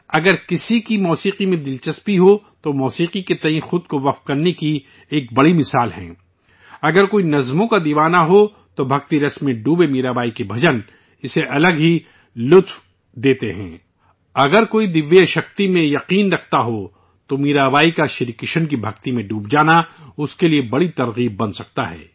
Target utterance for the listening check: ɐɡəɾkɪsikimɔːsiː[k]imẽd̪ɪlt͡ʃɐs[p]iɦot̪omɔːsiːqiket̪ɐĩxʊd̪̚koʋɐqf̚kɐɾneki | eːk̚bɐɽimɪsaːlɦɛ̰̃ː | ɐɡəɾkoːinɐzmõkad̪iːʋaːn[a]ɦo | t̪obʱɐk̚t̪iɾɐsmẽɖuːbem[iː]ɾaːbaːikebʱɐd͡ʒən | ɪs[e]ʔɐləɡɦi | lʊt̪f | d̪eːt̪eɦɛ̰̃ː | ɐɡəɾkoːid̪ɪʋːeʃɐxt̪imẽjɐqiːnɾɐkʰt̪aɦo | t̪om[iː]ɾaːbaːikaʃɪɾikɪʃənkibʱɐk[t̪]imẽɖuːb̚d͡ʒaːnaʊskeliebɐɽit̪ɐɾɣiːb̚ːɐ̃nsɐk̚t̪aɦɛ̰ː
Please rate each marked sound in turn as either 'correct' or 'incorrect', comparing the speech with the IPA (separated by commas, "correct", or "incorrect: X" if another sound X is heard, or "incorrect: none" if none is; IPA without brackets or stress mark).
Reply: incorrect: q, correct, correct, correct, correct, correct, correct